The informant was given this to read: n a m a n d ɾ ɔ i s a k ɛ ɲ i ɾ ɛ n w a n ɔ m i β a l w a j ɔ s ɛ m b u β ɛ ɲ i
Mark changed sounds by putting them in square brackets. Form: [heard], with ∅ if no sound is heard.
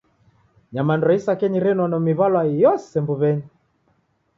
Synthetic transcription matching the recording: [ɲ] a m a n d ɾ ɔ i s a k ɛ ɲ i ɾ ɛ n w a n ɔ m i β a l w a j ɔ s ɛ m b u β ɛ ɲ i

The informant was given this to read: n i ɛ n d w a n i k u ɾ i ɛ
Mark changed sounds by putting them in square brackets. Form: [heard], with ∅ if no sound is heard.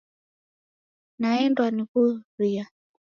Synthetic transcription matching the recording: n [a] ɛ n d w a n i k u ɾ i [a]

